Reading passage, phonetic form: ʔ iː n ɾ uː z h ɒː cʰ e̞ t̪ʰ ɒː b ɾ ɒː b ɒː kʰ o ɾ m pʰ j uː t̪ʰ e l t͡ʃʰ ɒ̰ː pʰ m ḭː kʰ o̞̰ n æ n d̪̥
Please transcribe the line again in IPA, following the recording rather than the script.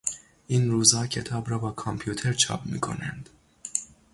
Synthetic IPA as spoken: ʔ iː n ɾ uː z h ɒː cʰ e̞ t̪ʰ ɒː b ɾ ɒː b ɒː kʰ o m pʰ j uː t̪ʰ e ɾ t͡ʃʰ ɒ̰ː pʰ m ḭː kʰ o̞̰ n æ n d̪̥